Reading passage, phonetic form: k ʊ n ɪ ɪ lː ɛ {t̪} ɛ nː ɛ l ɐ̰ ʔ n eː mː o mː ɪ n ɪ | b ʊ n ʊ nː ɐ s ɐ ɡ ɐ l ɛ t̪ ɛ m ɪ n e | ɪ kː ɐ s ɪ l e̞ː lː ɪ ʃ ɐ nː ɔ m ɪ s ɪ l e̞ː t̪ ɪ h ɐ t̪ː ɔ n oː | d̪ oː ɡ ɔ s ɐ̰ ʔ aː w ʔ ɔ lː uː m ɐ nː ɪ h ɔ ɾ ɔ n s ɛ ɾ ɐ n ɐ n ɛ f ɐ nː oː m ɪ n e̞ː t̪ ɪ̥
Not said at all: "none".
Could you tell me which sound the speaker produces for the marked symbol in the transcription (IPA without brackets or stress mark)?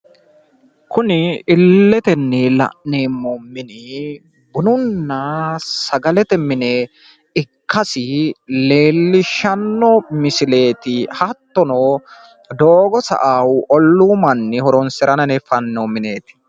t̪